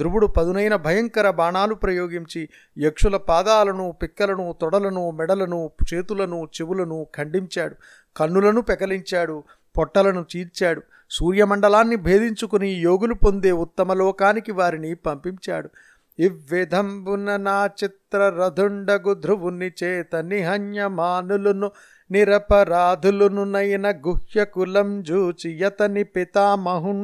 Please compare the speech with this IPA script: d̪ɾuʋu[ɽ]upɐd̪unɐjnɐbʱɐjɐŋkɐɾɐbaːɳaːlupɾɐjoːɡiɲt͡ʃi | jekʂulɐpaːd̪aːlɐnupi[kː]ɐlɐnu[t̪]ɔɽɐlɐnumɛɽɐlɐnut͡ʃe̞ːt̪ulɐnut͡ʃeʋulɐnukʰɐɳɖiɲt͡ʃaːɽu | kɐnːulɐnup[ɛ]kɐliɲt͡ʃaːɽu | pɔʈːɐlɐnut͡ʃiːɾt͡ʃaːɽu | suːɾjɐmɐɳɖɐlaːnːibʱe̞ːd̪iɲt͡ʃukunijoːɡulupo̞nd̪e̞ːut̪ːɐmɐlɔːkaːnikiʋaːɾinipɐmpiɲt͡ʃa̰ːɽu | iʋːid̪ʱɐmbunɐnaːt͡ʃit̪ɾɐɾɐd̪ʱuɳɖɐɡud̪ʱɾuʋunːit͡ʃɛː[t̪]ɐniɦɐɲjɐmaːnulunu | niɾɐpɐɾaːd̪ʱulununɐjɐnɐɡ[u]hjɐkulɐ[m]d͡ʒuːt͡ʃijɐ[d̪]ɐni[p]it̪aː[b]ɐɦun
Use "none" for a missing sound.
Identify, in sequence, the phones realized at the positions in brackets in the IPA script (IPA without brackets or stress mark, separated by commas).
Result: ɽ, kː, t̪, ɛ, t̪, u, m, t̪, p, m